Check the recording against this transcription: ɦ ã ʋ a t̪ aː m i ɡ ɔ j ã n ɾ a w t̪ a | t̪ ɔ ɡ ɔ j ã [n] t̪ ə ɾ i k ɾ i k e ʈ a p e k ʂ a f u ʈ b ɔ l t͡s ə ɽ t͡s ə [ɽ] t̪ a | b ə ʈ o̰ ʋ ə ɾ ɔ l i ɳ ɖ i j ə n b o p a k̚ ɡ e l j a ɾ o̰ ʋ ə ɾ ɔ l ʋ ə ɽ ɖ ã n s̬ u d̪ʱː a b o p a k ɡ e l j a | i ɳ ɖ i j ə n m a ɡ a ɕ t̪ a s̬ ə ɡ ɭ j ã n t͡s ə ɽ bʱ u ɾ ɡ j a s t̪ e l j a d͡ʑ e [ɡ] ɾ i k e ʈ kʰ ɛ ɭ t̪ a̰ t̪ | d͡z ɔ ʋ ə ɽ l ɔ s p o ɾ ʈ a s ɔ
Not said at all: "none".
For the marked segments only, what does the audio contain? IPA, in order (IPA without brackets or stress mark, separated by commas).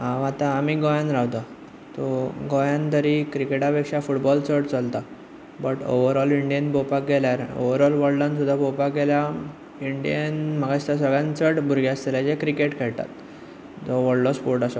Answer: n, l, k